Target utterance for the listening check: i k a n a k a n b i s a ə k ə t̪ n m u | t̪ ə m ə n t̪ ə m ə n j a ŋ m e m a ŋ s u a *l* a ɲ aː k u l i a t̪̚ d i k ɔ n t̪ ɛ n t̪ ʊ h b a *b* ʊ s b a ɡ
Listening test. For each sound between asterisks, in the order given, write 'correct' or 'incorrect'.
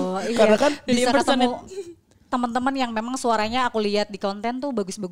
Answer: incorrect: ɾ, incorrect: ɡ

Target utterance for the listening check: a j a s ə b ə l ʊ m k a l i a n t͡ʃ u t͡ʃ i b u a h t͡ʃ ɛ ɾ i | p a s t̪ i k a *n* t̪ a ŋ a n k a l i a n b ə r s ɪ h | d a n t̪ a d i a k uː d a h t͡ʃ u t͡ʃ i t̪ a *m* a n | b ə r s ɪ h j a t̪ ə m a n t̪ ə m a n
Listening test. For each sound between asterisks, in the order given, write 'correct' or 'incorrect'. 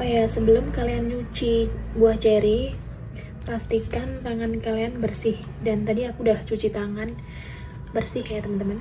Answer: correct, incorrect: ŋ

